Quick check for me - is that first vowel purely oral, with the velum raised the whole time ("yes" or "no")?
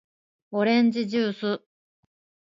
yes